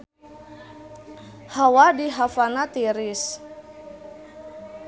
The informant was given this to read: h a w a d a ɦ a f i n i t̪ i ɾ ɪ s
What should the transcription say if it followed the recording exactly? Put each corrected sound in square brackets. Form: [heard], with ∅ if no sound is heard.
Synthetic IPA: h a w a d [i] ɦ a f [a] n [a] t̪ i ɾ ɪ s